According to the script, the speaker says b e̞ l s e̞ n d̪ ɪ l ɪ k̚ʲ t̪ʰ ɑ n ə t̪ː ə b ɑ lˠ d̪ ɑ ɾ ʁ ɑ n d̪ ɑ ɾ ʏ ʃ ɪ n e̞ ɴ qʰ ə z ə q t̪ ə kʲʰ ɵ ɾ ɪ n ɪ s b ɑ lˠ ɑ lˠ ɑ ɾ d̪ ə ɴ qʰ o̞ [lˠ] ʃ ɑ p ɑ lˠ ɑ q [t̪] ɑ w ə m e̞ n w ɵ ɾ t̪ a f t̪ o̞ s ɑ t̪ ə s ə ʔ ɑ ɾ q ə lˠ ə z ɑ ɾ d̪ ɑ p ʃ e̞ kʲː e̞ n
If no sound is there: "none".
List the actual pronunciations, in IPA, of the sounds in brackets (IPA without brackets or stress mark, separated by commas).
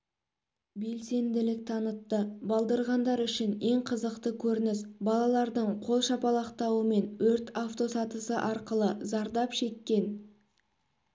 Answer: lˠ, t̪